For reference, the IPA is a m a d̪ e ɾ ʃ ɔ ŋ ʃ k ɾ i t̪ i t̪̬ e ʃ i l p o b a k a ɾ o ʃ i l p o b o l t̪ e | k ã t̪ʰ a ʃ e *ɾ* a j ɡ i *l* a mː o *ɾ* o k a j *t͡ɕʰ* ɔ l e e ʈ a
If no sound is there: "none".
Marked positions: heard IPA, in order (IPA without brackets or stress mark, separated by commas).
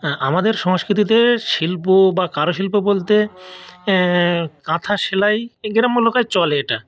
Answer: l, ɾ, l, t͡ɕ